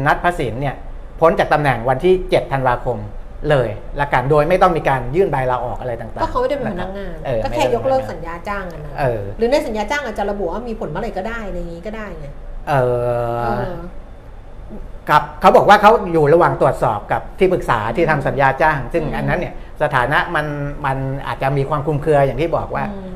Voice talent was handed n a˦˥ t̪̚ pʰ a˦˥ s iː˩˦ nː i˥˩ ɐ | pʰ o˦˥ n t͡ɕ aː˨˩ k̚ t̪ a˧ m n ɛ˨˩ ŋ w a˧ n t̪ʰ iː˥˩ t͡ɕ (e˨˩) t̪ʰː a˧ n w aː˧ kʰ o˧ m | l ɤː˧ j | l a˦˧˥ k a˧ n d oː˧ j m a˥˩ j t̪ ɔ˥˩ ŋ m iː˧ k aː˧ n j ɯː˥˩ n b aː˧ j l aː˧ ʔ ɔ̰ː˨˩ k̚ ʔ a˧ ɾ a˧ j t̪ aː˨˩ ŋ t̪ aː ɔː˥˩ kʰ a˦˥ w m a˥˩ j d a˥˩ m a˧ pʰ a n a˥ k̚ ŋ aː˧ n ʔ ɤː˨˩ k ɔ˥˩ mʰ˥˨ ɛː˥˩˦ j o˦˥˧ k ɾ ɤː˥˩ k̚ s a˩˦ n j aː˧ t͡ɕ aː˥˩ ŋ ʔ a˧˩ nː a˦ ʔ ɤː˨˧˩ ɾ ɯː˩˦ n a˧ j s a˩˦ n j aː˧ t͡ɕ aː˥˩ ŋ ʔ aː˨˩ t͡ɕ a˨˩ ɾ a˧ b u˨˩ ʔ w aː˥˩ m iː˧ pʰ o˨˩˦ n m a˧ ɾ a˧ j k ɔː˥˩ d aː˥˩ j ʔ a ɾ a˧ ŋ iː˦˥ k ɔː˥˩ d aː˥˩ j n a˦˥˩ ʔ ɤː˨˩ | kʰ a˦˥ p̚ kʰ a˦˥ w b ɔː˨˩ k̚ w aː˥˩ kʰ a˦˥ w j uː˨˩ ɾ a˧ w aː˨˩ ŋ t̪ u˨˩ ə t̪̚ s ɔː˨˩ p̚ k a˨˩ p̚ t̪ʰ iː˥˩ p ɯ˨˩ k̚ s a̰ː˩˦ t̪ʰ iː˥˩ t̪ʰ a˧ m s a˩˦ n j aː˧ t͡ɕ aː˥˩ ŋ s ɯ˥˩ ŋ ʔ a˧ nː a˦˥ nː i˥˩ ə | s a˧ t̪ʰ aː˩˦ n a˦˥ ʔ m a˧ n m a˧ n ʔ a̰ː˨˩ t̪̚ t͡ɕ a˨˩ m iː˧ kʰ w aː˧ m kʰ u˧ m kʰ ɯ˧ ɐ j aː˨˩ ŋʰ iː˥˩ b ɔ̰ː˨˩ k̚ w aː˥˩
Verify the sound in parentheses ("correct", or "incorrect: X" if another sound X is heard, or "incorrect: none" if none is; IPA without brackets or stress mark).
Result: correct